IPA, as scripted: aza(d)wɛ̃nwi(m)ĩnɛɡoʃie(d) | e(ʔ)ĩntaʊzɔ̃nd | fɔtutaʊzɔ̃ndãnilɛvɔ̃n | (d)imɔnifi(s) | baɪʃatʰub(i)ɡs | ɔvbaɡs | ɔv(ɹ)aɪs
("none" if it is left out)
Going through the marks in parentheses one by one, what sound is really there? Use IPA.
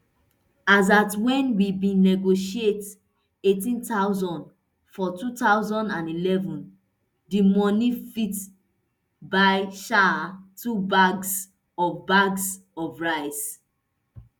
t, b, t, t, d, t, a, ɹ

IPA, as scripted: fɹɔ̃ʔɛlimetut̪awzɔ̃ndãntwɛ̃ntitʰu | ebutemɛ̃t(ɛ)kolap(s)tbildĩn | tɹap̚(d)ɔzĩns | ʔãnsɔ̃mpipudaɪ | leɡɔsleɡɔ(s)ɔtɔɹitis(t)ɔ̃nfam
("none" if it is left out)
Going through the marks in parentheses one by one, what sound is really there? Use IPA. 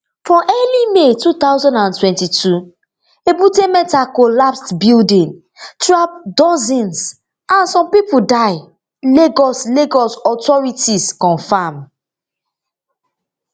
a, s, d, s, k

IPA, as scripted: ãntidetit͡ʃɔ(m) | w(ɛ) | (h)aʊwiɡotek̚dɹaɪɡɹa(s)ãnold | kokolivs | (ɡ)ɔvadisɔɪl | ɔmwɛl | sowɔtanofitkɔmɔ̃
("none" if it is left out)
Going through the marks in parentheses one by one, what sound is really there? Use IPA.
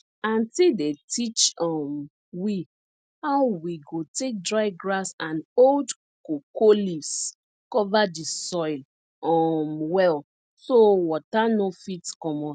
m, i, h, s, k

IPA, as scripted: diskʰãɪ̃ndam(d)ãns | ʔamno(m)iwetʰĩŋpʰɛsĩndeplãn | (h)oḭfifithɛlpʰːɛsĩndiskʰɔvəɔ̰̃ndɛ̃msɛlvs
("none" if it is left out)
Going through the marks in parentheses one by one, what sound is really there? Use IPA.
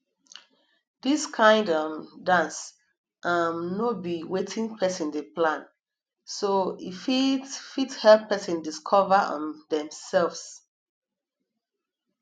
d, b, s

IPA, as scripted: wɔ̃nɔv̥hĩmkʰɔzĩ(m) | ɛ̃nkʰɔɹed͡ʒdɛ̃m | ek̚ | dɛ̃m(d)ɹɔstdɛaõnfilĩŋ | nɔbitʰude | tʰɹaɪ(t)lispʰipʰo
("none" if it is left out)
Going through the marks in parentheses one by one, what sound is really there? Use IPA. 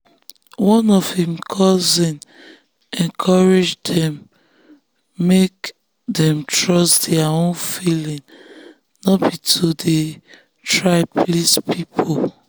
n, t, p

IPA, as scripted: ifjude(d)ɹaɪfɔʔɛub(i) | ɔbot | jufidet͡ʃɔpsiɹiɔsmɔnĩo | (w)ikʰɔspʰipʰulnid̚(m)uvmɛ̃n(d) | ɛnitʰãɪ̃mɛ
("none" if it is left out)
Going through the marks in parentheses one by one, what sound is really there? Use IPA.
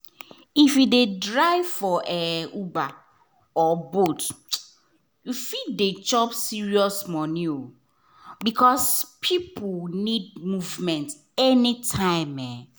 d, a, b, m, t

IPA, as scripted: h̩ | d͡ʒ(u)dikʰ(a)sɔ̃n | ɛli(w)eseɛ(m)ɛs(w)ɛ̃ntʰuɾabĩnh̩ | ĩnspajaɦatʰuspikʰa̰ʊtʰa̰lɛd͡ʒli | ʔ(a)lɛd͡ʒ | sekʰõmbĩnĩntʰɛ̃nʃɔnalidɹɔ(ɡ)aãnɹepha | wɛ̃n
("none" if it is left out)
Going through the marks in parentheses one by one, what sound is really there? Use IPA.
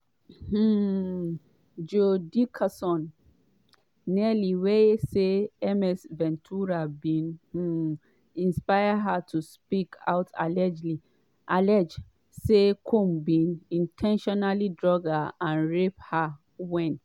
o, a, w, m, v, a, ɡ

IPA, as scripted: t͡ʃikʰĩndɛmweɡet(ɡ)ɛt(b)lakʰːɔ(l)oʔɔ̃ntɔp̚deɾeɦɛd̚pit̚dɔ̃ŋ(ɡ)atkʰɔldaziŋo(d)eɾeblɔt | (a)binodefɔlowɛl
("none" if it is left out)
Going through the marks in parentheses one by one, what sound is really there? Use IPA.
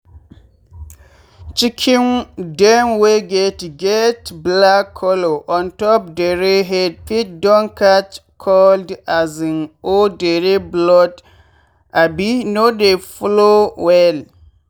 ɡ, b, l, k, d, a

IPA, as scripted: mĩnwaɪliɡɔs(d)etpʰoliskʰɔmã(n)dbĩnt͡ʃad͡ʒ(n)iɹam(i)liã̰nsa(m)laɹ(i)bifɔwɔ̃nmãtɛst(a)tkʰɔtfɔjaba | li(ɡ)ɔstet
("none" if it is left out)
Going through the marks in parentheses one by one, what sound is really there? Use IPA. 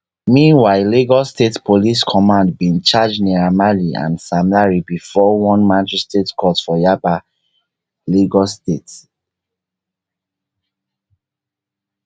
t, n, n, a, m, i, e, ɡ

